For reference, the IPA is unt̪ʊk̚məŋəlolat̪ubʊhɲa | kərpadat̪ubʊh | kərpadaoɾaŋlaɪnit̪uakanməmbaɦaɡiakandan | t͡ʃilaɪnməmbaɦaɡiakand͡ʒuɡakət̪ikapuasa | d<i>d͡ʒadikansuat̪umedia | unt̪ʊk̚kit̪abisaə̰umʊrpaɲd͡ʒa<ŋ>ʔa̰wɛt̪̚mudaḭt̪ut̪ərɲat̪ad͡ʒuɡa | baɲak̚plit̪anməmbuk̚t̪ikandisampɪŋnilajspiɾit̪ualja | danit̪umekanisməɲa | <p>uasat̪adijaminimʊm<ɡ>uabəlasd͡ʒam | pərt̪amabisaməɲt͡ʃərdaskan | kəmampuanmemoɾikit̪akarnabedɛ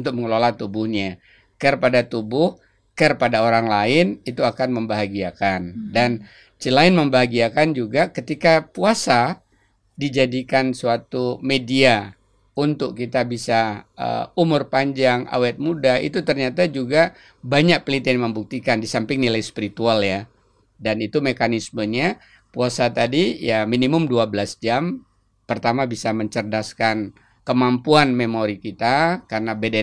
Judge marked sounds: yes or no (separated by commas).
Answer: yes, yes, yes, no